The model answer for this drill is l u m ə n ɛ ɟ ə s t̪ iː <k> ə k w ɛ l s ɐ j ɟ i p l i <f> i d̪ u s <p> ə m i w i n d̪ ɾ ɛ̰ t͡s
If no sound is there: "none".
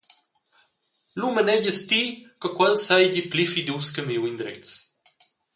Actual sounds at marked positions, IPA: k, f, k

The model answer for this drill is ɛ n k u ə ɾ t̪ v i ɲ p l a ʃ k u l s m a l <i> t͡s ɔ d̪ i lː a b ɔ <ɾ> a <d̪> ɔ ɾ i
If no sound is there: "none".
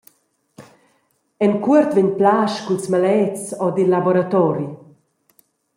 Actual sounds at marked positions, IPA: ɛ, ɾ, t̪

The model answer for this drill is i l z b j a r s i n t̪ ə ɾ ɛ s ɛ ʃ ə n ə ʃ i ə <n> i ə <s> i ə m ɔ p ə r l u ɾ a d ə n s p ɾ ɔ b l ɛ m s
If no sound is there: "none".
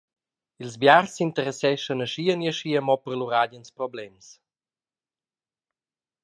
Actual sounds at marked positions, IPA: n, ʃ

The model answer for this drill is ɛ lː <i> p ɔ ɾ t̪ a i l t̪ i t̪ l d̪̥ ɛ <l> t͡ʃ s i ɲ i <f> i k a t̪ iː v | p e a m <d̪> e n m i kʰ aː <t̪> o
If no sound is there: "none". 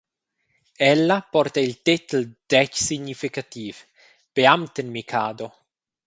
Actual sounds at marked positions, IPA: a, none, f, t̪, d̪

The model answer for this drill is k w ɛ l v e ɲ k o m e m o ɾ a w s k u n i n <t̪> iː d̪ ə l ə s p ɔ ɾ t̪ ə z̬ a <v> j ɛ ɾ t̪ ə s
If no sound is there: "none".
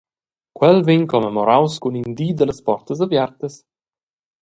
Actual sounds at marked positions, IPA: d̪, v

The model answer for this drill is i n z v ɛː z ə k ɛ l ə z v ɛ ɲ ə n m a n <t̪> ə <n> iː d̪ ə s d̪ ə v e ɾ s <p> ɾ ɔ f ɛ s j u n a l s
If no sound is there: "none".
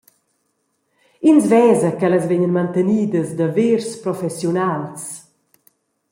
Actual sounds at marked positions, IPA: t̪, n, p

